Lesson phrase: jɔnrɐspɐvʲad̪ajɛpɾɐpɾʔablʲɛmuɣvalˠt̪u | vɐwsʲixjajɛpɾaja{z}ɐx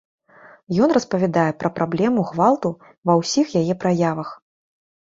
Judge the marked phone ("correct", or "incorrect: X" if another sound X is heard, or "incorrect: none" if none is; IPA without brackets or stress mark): incorrect: v